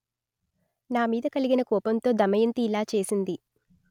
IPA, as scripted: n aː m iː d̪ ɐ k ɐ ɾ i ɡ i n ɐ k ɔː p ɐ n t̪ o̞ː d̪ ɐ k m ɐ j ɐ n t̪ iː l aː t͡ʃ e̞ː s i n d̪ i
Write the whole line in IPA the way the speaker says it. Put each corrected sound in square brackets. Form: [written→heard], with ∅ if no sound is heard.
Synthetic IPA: n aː m iː d̪ ɐ k ɐ [ɾ→l] i ɡ i n ɐ k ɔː p ɐ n t̪ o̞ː d̪ ɐ [k→∅] m ɐ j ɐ n t̪ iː l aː t͡ʃ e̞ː s i n d̪ i